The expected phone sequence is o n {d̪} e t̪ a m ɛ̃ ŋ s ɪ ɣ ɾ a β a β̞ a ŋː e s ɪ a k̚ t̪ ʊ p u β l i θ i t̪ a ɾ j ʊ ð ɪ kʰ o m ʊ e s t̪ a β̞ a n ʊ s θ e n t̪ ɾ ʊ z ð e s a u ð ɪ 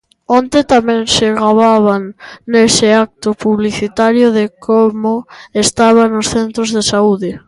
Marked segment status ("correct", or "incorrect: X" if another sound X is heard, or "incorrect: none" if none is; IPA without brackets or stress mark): incorrect: t̪